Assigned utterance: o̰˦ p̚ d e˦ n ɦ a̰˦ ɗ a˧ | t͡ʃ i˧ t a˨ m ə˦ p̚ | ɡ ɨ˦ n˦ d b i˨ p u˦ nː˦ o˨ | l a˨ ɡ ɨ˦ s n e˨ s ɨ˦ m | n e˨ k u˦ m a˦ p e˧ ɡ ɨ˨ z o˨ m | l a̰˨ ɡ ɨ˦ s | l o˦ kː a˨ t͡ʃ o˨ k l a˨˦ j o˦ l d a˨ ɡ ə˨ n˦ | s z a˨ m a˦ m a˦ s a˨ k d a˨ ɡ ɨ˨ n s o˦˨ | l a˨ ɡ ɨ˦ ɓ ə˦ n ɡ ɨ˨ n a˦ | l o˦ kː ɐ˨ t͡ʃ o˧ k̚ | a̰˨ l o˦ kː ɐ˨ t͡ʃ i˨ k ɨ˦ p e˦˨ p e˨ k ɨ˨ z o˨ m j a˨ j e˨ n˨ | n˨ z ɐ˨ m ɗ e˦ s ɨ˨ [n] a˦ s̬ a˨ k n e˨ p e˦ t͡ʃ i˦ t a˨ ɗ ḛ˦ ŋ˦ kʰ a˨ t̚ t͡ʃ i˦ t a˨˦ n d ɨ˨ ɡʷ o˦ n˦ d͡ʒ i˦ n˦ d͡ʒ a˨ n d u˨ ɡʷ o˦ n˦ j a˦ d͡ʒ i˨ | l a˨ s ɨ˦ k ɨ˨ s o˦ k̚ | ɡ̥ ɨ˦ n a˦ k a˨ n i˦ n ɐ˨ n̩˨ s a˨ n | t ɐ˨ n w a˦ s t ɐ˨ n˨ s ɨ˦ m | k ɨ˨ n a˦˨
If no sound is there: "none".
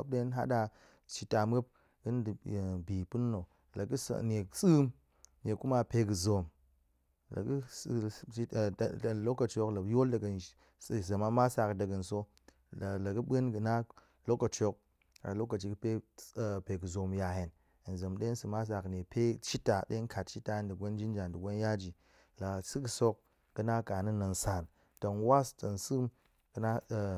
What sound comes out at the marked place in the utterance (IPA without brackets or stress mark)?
m